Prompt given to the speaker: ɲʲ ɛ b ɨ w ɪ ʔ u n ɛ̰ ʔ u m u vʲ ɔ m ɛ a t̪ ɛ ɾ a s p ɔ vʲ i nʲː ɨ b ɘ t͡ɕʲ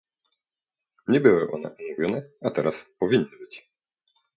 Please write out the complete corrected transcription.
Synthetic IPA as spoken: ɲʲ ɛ b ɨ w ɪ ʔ ɔ n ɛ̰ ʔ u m u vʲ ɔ n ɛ a t̪ ɛ ɾ a s p ɔ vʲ i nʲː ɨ b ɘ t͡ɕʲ